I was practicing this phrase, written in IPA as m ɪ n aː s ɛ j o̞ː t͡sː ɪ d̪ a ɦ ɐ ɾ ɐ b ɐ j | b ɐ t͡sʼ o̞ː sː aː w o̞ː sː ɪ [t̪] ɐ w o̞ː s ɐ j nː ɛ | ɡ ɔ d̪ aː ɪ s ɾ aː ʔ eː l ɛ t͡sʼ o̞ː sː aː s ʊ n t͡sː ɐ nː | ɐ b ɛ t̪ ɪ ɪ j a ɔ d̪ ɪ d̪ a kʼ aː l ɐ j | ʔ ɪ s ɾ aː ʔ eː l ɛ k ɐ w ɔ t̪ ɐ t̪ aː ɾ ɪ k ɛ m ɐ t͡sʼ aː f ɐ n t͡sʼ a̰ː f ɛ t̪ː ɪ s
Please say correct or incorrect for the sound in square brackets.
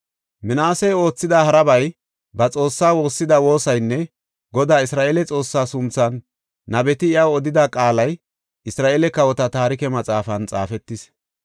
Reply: incorrect: d̪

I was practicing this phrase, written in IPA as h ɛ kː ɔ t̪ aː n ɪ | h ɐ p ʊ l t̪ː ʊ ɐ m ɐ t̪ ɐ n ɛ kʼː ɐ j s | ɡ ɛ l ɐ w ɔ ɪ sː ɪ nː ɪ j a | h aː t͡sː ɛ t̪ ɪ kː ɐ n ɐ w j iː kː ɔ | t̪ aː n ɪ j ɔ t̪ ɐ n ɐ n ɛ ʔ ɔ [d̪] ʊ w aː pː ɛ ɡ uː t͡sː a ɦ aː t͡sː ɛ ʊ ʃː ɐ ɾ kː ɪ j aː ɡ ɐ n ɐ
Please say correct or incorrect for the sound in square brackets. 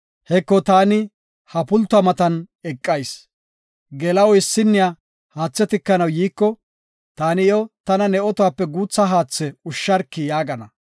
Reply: incorrect: t̪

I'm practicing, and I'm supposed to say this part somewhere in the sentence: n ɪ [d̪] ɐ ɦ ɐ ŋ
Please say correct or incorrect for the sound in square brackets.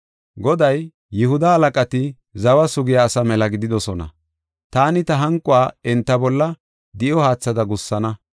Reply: incorrect: t̪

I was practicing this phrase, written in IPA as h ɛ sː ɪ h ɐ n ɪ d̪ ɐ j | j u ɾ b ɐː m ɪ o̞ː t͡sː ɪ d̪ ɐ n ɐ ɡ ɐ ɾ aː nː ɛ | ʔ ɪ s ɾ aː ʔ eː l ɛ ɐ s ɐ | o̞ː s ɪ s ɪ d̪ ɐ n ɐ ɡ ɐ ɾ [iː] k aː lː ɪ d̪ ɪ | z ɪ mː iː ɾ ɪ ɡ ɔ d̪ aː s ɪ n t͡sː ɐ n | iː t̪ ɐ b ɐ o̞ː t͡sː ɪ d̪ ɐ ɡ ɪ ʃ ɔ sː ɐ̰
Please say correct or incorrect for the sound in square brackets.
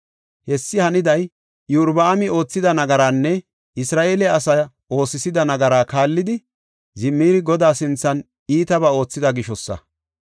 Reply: incorrect: aː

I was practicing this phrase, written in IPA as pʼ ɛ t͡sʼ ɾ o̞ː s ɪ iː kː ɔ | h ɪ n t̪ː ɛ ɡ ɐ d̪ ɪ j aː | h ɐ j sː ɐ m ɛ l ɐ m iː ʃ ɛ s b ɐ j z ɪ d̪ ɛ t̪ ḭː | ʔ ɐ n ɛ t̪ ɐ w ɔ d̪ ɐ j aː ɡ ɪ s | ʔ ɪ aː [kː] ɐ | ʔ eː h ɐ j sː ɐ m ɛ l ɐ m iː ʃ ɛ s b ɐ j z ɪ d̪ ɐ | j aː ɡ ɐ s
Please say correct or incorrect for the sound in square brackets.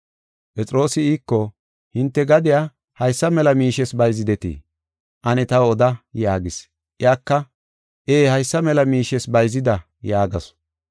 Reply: correct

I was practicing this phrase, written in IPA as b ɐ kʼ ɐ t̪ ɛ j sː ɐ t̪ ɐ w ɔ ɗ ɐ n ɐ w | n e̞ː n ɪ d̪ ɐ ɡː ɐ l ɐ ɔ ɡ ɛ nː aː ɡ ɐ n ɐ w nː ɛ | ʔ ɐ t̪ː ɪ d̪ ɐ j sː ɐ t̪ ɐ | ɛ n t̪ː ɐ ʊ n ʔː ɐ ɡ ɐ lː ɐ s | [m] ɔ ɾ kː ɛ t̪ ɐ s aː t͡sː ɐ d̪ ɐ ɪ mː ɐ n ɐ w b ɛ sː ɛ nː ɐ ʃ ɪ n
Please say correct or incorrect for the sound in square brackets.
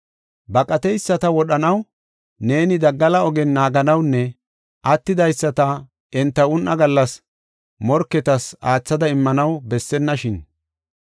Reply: correct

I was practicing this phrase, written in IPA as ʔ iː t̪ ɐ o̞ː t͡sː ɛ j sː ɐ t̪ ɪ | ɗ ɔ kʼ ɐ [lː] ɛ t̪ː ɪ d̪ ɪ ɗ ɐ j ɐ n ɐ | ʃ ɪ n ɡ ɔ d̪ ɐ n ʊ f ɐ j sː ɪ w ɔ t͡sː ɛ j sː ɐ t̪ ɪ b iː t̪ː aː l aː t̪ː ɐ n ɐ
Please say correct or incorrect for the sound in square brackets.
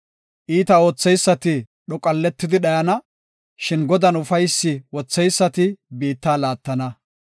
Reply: correct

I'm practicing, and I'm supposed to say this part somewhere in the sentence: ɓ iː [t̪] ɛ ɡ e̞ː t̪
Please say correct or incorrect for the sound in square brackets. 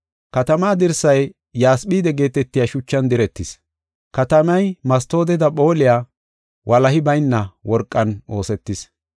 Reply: incorrect: d̪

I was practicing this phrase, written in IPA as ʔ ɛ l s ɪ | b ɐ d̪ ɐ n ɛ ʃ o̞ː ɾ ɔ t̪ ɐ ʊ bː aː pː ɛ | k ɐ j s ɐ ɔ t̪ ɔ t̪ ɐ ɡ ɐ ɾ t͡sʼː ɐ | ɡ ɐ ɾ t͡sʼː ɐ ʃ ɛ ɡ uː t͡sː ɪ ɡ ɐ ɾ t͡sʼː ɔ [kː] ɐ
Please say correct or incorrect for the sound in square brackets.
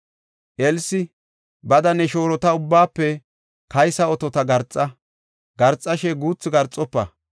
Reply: incorrect: pː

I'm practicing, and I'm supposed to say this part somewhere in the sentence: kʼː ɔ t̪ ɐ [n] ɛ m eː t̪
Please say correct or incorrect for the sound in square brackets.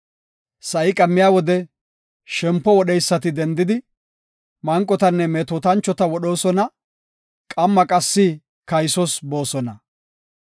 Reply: incorrect: nː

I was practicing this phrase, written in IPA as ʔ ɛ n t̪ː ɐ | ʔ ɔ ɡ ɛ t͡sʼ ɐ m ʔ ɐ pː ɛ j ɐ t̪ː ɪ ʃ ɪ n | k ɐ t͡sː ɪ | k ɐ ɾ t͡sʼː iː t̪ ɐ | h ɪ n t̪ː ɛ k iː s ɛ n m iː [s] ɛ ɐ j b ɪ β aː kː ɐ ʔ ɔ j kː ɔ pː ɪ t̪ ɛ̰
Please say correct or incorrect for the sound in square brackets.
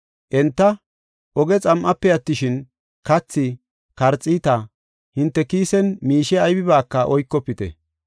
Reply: incorrect: ʃ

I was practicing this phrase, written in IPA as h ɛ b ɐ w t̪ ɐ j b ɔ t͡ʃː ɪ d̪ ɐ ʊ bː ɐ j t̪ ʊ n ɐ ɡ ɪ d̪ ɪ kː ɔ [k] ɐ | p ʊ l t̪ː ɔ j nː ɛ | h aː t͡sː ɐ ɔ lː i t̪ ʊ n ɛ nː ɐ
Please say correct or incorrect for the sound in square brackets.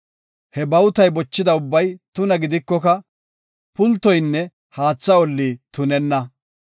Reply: correct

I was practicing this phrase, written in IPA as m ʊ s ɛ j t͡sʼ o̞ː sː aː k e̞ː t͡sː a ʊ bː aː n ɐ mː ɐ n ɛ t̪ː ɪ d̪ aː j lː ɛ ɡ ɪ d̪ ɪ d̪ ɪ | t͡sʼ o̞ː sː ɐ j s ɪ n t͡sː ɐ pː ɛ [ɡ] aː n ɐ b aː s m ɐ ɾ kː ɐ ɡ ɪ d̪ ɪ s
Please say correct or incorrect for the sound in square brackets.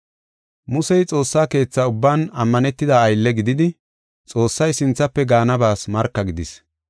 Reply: correct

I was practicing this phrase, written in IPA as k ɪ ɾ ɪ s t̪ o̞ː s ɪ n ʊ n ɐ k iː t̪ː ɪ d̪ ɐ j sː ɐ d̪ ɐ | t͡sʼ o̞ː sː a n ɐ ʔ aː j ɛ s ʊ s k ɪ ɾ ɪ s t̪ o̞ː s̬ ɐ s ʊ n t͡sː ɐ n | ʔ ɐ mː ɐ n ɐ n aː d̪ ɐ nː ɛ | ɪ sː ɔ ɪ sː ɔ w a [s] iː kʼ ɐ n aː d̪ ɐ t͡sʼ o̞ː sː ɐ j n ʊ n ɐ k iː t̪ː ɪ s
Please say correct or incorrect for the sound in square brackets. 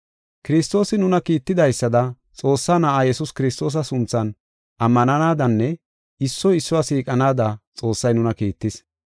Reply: correct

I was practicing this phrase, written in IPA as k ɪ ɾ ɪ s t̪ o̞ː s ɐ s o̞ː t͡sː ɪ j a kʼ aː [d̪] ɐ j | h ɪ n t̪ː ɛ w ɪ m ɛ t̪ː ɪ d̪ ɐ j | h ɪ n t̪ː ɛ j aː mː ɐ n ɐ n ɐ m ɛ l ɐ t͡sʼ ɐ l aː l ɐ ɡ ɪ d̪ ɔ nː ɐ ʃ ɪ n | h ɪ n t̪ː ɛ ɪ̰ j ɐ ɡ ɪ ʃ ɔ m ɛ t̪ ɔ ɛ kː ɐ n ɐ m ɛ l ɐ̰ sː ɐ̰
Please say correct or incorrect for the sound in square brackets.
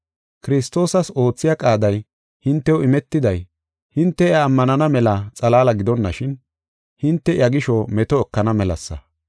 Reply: correct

